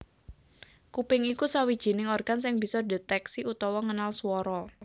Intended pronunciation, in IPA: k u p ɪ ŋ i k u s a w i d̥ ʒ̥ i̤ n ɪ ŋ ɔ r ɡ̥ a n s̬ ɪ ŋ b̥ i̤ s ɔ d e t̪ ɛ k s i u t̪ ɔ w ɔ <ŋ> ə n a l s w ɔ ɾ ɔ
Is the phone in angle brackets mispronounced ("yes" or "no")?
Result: no